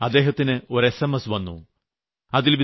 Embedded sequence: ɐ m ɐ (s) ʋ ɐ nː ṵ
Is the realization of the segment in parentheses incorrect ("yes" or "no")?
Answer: no